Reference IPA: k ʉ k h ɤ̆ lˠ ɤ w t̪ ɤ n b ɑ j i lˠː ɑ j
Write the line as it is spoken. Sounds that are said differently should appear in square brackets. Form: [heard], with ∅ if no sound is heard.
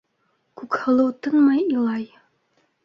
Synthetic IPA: k ʉ k h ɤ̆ lˠ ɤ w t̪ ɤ n [m] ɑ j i [lˠ] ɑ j